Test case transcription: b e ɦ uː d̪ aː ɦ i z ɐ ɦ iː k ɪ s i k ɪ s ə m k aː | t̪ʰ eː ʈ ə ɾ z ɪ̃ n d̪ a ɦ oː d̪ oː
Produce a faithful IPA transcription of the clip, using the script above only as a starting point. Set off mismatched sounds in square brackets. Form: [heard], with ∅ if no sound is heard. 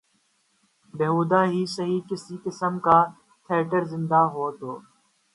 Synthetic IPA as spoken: b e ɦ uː d̪ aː ɦ i [s] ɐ ɦ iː k ɪ s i k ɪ s ə m k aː | t̪ʰ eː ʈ ə ɾ z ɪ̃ n d̪ a ɦ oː [t̪] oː